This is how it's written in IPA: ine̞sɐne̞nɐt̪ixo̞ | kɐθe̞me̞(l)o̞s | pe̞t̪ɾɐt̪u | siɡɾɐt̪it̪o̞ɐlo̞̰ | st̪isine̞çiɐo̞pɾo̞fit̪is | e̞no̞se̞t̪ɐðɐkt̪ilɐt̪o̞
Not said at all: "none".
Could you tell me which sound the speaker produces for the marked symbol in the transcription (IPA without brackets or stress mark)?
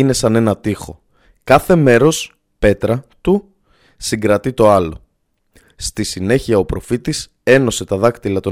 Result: ɾ